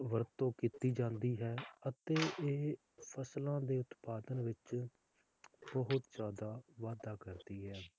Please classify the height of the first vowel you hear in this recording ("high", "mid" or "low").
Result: mid